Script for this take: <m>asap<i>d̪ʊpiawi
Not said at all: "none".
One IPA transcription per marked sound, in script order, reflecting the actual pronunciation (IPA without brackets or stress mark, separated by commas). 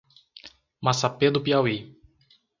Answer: m, e